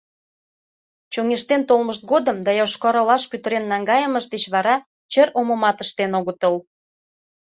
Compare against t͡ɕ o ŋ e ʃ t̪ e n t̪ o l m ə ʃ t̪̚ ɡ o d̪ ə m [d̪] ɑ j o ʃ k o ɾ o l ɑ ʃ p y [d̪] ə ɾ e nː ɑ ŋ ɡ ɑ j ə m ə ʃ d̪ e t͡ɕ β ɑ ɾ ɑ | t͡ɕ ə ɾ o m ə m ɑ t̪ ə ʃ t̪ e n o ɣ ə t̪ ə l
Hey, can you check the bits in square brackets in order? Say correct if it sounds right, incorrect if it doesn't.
correct, incorrect: t̪

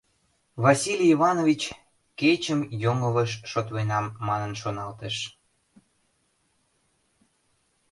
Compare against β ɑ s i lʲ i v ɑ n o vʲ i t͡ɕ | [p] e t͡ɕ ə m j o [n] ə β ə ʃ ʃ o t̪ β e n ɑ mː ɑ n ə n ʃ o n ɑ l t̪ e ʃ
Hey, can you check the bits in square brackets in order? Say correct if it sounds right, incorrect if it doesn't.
incorrect: k, incorrect: ŋ

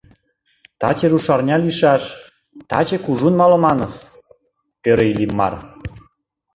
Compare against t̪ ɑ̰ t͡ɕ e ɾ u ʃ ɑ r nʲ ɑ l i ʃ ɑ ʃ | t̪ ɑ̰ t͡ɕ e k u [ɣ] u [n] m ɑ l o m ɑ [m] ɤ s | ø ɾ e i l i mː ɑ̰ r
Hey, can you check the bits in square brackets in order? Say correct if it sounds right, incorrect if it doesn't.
incorrect: ʒ, correct, incorrect: n

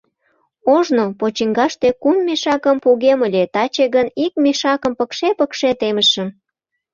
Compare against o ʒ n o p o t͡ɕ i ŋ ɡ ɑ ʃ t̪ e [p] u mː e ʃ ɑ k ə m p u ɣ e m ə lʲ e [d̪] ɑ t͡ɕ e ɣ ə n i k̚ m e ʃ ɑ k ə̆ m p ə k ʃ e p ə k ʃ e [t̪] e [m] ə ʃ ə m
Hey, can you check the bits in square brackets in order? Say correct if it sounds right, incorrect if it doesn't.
incorrect: k, incorrect: t̪, correct, correct

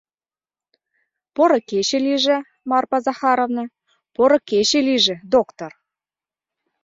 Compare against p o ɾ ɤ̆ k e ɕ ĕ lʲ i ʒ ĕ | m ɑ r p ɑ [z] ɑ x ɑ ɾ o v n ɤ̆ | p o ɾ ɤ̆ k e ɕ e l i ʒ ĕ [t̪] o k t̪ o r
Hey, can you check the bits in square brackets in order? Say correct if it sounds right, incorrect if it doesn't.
correct, incorrect: d̪

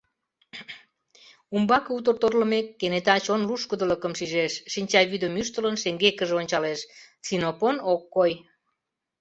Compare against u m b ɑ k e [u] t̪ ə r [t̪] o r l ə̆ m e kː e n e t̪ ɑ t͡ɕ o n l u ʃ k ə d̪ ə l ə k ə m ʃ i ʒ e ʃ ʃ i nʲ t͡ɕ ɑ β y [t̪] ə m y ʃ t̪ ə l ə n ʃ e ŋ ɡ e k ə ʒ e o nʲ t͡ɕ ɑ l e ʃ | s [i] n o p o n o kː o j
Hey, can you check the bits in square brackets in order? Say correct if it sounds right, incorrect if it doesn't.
correct, correct, incorrect: d̪, correct

